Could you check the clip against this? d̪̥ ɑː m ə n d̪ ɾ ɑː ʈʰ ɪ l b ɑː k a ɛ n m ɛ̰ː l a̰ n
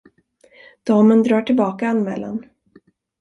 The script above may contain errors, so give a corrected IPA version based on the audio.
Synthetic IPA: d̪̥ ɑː m ə n d̪ ɾ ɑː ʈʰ ɪ l b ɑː k a a n m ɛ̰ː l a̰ n